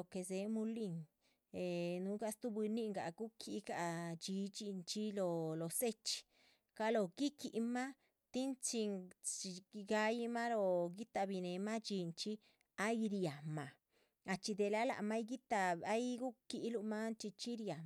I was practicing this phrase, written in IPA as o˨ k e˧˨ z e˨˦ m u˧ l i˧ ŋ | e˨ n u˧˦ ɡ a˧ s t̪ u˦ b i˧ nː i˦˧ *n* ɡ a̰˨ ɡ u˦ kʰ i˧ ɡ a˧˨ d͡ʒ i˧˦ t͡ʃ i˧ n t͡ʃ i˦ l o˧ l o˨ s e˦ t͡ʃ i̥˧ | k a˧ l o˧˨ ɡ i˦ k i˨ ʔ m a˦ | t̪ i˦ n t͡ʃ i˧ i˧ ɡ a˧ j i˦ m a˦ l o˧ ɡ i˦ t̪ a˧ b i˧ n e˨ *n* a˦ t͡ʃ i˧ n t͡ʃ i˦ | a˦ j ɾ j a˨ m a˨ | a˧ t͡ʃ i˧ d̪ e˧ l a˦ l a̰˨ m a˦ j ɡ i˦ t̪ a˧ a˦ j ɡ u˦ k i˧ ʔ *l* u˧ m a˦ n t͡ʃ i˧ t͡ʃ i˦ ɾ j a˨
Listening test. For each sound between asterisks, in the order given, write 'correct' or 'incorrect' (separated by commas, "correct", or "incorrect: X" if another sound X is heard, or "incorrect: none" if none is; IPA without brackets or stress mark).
incorrect: ŋ, incorrect: m, correct